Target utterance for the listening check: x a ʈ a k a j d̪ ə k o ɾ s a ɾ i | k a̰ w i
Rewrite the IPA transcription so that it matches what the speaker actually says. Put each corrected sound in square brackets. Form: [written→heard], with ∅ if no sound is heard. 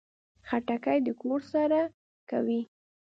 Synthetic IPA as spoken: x a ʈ a k a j d̪ ə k o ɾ s a ɾ [i→a] | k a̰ w i